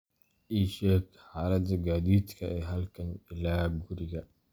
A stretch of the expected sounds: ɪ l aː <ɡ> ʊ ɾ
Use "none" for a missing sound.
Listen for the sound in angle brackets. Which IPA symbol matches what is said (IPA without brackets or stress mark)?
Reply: ɡ